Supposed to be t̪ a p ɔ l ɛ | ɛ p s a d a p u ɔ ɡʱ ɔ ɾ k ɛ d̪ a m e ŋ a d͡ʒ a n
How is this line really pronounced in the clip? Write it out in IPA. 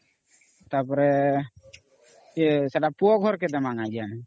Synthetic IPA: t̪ a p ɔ ɾ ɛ | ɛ s a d a p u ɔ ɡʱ ɔ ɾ k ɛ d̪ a m a ŋ a d͡ʒ a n